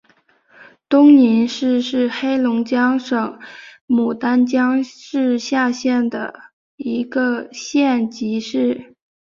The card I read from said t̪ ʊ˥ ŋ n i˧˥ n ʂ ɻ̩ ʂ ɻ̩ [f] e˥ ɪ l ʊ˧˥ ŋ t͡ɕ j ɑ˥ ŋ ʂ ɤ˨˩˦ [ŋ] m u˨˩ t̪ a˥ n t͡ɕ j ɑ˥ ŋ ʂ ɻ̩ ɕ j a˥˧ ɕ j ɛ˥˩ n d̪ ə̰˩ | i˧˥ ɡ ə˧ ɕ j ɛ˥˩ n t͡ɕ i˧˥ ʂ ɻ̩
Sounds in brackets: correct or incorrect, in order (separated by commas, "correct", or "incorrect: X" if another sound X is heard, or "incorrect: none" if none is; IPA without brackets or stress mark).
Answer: incorrect: x, correct